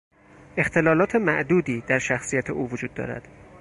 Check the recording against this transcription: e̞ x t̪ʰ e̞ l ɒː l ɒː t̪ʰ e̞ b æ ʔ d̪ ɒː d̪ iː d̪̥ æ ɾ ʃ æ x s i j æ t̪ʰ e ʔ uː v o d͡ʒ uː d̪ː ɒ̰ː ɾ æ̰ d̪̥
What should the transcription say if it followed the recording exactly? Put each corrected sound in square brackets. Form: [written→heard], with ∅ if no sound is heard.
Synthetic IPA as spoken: e̞ x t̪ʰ e̞ l ɒː l ɒː t̪ʰ e̞ [b→m] æ ʔ d̪ [ɒː→uː] d̪ iː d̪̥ æ ɾ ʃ æ x s i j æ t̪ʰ e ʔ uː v o d͡ʒ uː d̪ː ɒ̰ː ɾ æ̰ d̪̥